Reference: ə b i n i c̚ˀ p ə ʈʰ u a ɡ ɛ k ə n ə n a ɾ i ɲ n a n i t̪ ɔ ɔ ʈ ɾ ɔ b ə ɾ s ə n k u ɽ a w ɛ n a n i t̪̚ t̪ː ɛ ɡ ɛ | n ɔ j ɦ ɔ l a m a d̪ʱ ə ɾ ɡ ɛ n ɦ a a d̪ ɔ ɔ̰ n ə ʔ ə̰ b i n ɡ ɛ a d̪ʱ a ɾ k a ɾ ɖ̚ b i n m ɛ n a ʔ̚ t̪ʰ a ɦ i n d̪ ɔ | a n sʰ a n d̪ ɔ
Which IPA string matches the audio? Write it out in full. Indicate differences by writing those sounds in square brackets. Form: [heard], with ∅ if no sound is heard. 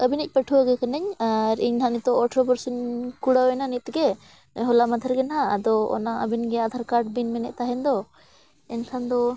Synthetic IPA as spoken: ə b i n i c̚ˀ p ə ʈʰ u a ɡ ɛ k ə n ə [ɲ] a ɾ i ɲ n a n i t̪ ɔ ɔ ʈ ɾ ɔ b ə ɾ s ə n k u ɽ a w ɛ n a n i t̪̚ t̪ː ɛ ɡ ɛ | n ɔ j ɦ ɔ l a m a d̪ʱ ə ɾ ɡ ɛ n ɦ a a d̪ ɔ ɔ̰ n [a] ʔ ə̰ b i n ɡ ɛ a d̪ʱ a ɾ k a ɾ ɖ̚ b i n m ɛ n [ɛ] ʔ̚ [t̪] a ɦ [ɛ] n d̪ ɔ | [ɛ] n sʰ a n d̪ ɔ